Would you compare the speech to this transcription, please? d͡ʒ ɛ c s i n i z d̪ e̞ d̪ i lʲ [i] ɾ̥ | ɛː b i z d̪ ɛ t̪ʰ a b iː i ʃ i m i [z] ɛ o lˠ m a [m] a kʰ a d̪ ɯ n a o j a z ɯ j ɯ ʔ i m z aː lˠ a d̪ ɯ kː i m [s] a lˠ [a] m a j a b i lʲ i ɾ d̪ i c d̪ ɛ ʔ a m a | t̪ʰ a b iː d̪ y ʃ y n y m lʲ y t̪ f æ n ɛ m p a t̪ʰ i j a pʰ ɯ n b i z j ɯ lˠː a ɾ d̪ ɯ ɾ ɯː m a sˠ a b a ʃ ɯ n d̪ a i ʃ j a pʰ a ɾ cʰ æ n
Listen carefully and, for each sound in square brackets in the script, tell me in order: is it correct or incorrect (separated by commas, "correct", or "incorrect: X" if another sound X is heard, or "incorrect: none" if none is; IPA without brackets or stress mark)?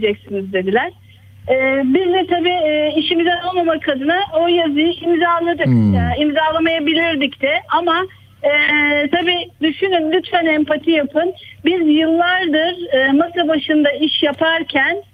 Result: incorrect: æ, correct, correct, incorrect: z, correct